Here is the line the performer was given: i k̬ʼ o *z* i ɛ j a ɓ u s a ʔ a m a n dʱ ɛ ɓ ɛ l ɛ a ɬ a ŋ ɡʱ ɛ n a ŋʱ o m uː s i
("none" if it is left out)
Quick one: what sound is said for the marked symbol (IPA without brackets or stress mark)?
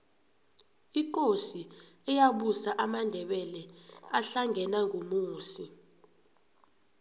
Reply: s